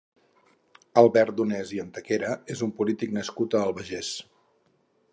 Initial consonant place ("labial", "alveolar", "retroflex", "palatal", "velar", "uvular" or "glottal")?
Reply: alveolar